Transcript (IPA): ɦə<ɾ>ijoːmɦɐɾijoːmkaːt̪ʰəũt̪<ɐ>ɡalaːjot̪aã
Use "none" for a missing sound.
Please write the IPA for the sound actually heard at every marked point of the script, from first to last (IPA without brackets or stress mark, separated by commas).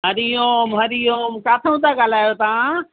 ɾ, a